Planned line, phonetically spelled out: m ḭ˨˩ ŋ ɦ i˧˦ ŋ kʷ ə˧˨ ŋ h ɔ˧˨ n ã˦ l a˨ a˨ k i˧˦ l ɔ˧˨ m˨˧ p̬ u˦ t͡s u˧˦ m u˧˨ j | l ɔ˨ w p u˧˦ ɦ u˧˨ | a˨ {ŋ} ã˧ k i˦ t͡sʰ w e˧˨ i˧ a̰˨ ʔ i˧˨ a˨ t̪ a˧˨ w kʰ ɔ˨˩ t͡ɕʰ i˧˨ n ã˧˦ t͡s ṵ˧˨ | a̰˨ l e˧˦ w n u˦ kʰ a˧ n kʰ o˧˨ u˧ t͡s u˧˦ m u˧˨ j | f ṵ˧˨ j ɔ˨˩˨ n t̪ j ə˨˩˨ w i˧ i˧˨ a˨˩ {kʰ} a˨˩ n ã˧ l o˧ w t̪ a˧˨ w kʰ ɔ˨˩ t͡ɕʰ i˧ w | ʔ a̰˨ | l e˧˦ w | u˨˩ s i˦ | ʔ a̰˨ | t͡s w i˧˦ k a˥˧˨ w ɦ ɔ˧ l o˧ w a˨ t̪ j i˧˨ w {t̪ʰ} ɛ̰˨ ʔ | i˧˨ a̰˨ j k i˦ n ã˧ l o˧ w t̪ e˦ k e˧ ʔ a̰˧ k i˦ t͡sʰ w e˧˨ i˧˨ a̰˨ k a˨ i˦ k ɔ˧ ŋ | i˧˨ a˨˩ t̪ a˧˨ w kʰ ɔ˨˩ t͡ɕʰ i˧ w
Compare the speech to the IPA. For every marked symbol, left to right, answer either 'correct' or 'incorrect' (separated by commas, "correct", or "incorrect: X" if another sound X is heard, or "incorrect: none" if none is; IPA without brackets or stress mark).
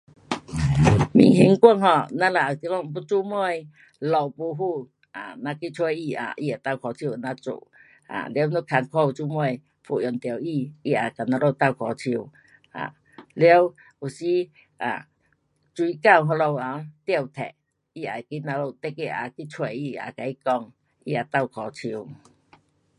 incorrect: n, incorrect: k, correct